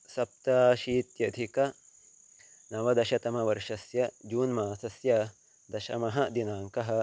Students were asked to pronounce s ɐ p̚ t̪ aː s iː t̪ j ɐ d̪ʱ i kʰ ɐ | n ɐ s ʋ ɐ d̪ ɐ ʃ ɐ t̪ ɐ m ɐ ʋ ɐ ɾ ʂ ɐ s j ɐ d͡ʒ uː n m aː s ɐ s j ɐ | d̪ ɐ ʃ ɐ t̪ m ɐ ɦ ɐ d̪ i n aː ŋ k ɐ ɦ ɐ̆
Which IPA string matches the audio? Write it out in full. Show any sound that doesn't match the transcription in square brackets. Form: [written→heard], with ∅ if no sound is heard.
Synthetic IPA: s ɐ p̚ t̪ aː [s→ʃ] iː t̪ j ɐ d̪ʱ i [kʰ→k] ɐ | n ɐ [s→∅] ʋ ɐ d̪ ɐ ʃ ɐ t̪ ɐ m ɐ ʋ ɐ ɾ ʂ ɐ s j ɐ d͡ʒ uː n m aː s ɐ s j ɐ | d̪ ɐ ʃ ɐ [t̪→∅] m ɐ ɦ ɐ d̪ i n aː ŋ k ɐ ɦ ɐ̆